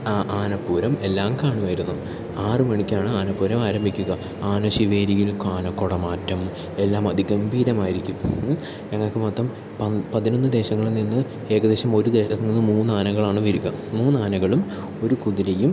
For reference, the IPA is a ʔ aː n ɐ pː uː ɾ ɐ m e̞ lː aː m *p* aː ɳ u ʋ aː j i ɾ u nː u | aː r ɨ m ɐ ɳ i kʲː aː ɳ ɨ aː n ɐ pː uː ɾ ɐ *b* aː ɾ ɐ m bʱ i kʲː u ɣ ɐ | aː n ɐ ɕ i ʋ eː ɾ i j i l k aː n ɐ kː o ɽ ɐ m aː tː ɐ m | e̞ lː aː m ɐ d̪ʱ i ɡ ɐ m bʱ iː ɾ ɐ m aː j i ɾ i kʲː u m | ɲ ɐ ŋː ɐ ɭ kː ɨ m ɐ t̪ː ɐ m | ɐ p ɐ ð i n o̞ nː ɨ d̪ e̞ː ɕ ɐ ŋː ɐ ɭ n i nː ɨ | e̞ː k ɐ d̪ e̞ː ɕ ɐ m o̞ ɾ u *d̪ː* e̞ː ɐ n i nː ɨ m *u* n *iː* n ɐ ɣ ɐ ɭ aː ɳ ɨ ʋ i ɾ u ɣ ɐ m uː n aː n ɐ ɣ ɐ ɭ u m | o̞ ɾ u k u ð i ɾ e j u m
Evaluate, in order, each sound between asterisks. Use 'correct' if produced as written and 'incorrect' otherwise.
incorrect: k, incorrect: m, incorrect: d̪, incorrect: uː, incorrect: aː

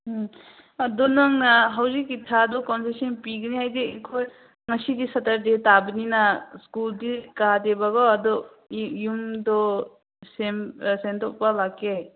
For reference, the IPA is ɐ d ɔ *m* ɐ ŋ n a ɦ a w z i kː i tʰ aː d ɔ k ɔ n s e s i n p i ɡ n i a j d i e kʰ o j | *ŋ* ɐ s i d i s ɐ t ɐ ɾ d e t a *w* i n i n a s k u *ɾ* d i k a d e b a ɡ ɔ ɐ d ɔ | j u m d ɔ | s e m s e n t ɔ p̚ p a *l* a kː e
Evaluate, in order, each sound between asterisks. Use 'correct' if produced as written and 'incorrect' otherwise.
incorrect: n, correct, incorrect: b, incorrect: l, correct

